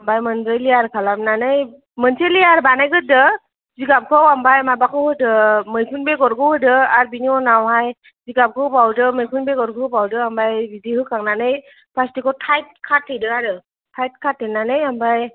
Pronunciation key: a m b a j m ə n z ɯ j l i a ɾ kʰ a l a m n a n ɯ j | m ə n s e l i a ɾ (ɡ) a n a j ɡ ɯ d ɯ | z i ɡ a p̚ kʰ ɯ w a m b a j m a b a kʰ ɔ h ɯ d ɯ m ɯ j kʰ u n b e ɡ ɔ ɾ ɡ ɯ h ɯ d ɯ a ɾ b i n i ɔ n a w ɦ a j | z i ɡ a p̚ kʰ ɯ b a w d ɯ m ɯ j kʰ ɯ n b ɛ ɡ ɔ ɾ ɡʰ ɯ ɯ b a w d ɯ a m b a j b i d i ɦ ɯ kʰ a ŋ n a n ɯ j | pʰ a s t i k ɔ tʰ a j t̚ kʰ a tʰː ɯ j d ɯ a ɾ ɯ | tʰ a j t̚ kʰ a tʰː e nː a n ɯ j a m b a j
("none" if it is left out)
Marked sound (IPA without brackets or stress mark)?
b